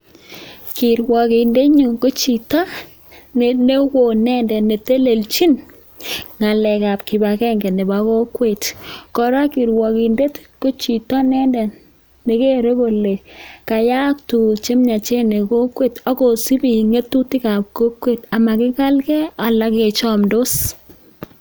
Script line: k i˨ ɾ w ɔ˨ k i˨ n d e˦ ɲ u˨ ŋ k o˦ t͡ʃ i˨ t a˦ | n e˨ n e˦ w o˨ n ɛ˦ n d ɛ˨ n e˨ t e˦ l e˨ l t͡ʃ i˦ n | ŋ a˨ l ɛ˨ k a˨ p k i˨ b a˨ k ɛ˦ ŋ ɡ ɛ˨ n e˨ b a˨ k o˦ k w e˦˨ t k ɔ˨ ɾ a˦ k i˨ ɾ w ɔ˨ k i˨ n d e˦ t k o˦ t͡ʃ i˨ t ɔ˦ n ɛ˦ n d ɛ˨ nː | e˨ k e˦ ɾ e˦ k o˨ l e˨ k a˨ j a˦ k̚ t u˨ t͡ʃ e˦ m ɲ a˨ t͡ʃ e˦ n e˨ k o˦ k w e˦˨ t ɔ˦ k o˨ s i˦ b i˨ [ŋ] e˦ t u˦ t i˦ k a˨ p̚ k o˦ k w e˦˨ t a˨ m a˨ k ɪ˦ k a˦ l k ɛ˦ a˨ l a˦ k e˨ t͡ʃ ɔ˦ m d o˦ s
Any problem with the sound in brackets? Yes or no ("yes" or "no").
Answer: no